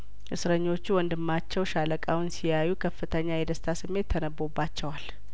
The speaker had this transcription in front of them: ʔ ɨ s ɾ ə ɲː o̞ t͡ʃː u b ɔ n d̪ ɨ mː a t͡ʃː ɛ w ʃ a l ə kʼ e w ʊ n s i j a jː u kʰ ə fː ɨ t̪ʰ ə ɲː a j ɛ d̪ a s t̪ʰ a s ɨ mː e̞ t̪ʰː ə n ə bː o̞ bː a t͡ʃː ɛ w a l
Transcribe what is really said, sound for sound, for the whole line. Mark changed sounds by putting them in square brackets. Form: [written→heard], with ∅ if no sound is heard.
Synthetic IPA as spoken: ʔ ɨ s ɾ ə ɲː o̞ t͡ʃː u [b→w] ɔ n d̪ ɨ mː a t͡ʃː ɛ w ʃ a l ə kʼ [e→a] w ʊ n s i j a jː u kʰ ə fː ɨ t̪ʰ ə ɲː a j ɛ d̪ [a→ə] s t̪ʰ a s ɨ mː e̞ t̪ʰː ə n ə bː o̞ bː a t͡ʃː ɛ w a l